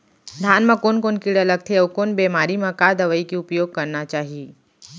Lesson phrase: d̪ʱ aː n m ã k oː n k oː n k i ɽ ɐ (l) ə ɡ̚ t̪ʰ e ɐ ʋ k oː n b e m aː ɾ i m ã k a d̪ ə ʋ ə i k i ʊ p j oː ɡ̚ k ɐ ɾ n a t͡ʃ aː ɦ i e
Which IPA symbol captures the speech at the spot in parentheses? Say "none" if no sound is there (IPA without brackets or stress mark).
l